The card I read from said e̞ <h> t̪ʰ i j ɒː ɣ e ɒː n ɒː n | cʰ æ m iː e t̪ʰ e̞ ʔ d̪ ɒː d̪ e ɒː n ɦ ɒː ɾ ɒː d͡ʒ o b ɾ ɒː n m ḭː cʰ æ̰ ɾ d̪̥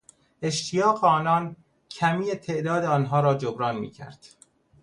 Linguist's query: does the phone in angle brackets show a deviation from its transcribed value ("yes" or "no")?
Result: yes